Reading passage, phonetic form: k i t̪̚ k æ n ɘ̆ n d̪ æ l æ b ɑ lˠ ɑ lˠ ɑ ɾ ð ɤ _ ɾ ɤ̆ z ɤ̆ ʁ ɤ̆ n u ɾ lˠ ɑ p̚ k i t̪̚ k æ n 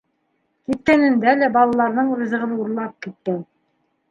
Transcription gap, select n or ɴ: ɴ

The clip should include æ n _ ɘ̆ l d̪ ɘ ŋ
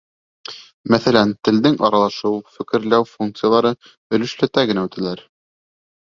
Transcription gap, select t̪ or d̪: t̪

